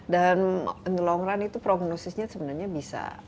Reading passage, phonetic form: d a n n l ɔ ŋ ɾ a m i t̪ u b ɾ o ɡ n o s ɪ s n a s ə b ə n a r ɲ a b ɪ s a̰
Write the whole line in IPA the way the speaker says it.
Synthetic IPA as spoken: d a n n l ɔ ŋ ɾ a n i t̪ u p ɾ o ɡ n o s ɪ s ɲ a s ə b ə n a r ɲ a b i s a̰